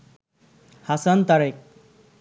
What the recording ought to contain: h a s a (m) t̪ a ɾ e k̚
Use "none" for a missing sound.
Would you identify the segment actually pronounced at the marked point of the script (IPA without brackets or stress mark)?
n